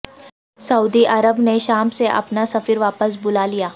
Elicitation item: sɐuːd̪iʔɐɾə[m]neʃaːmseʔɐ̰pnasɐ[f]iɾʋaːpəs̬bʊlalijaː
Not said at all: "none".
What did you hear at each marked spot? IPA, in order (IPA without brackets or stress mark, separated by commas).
b, f